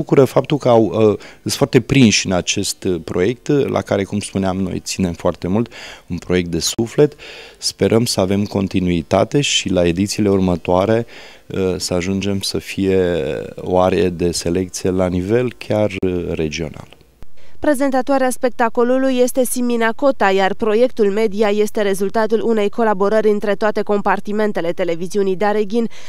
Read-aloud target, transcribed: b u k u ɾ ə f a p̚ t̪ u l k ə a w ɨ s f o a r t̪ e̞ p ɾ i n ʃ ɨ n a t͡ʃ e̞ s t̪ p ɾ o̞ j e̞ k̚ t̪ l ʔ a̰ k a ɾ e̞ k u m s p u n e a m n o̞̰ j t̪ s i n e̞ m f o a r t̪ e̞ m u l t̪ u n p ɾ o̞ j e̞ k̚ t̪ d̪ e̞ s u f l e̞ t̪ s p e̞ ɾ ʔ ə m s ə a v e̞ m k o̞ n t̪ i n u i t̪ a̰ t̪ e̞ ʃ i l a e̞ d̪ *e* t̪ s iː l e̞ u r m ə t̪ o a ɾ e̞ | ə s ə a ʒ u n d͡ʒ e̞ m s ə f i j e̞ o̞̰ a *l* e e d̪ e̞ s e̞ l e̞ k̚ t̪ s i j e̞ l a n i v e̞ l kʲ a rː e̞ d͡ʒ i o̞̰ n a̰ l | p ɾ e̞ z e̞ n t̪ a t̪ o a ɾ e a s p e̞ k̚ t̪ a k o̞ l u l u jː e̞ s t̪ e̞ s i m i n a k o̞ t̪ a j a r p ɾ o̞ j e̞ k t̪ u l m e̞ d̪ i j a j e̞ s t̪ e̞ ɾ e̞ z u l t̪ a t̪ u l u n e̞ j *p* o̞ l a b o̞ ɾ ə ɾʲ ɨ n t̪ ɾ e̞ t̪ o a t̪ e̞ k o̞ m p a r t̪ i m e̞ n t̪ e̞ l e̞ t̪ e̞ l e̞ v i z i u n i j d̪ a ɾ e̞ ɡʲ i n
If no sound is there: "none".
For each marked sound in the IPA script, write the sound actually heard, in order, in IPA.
i, ɾ, k

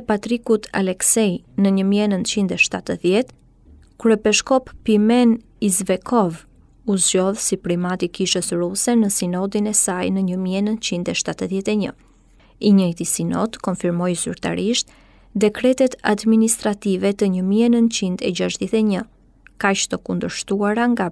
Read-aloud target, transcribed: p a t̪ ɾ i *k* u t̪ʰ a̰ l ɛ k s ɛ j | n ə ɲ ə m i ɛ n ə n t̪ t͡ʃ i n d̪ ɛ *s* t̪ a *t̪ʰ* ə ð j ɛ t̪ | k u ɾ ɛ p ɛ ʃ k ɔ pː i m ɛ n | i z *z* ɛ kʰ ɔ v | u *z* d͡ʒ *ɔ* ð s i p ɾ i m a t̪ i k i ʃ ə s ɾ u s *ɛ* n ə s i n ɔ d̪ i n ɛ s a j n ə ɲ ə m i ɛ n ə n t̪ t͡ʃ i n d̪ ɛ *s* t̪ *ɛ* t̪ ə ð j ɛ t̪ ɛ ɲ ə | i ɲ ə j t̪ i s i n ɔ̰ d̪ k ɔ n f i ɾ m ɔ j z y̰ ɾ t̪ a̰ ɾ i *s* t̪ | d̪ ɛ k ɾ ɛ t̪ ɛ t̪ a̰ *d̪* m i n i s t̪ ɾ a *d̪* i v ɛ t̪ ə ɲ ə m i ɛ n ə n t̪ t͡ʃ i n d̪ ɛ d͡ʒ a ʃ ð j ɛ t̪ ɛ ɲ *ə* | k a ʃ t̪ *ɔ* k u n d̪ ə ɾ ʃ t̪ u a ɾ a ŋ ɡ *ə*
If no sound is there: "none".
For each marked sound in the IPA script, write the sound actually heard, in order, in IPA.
k, ʃ, t̪, v, z, ɔ, ɛ, ʃ, a, ʃ, d̪, t̪, ə, ɔ, a

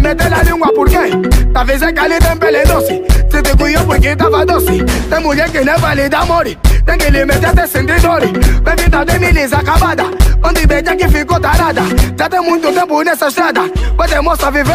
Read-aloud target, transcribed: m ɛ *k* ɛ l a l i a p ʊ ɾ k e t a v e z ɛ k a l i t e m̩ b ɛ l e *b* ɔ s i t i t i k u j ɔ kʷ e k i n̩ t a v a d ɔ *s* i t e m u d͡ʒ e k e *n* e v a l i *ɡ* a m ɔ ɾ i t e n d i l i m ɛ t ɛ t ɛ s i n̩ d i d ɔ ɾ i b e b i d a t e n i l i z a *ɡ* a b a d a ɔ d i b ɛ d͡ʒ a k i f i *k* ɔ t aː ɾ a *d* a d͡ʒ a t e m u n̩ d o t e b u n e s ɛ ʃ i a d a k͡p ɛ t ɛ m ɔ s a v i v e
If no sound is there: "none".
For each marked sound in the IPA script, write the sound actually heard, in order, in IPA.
t, d, s, n, d, k, k, d

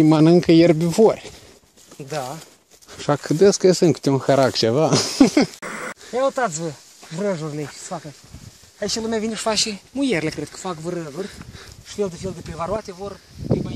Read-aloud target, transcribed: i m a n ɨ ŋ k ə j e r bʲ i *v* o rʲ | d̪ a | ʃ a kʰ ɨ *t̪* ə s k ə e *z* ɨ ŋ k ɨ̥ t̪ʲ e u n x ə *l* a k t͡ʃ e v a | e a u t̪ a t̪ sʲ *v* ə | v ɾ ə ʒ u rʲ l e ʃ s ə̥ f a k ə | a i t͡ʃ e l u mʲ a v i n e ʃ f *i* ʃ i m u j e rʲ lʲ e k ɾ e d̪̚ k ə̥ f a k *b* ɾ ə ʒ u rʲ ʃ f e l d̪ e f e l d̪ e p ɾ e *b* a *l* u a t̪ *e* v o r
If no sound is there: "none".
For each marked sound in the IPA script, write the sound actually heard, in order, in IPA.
v, d̪, s, ɾ, v, a, v, v, ɾ, e

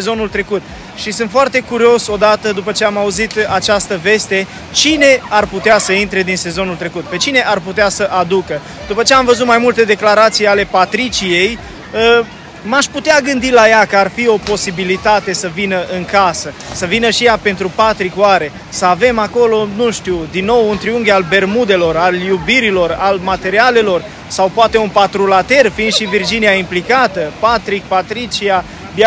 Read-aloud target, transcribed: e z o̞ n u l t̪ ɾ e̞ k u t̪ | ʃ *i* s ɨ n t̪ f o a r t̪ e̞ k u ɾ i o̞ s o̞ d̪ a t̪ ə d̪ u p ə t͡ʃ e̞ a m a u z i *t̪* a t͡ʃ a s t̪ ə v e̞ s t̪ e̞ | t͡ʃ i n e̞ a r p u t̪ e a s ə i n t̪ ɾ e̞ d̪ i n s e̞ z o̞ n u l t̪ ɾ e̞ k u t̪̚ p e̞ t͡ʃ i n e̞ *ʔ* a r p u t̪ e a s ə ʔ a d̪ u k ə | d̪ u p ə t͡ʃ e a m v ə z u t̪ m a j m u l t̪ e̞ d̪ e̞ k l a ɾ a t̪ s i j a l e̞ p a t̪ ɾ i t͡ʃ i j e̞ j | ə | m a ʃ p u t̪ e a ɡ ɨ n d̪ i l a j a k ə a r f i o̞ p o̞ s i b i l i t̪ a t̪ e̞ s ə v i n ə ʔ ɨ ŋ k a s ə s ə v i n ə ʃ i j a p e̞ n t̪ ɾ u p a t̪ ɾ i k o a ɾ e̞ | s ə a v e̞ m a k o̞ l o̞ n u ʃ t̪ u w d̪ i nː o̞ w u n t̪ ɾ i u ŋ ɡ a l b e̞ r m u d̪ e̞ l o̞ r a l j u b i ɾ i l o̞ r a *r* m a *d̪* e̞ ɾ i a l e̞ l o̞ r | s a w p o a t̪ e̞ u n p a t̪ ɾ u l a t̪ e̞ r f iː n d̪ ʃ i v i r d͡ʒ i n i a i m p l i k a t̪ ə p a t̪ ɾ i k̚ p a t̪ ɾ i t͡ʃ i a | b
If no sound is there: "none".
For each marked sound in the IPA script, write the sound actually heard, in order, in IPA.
i, t̪, ʔ, l, t̪

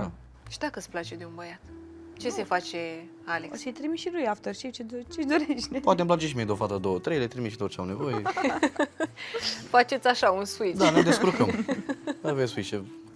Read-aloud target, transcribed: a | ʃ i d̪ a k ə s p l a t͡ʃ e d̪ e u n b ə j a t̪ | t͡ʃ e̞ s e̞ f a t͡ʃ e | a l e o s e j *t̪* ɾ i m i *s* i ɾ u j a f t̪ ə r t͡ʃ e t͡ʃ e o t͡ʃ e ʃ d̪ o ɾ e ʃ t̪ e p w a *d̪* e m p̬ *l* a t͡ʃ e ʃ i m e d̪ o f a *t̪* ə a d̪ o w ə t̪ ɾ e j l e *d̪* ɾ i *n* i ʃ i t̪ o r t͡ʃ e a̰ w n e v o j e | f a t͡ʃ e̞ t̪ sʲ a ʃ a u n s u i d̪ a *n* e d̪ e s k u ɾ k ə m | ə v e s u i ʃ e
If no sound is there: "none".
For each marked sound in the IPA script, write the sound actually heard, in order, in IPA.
t̪, ʃ, t̪, l, t̪, t̪, m, n

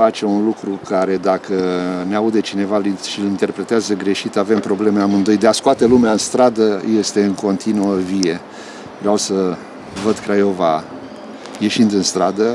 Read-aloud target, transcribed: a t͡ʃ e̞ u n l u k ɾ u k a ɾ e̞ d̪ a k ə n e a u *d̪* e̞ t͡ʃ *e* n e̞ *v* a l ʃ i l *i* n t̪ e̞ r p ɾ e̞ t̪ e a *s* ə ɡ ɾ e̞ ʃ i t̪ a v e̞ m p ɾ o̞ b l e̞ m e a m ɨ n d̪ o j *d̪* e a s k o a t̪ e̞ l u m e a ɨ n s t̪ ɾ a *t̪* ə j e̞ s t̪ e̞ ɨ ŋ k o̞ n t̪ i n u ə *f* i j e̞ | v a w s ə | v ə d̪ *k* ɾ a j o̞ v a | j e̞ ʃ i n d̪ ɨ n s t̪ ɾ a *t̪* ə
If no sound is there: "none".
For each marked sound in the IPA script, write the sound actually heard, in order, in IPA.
d̪, i, v, i, z, d̪, d̪, v, k, d̪

